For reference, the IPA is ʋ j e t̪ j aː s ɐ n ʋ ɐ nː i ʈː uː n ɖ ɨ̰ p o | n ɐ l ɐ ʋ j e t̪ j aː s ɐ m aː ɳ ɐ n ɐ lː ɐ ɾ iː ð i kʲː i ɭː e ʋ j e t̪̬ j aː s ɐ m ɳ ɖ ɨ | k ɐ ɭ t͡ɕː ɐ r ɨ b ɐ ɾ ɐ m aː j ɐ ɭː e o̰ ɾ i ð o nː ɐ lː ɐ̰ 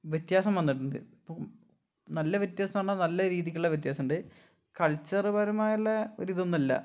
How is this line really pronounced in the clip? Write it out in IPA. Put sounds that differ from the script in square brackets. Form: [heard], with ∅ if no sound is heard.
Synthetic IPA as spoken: ʋ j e t̪ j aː s ɐ [m] ʋ ɐ nː i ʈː [u] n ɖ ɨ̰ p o | n ɐ [lː] ɐ ʋ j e t̪ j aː s ɐ m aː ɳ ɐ n ɐ lː ɐ ɾ iː ð i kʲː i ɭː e ʋ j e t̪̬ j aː s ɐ m ɳ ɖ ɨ | k ɐ ɭ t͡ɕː ɐ r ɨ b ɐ ɾ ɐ m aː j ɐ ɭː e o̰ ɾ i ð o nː ɐ lː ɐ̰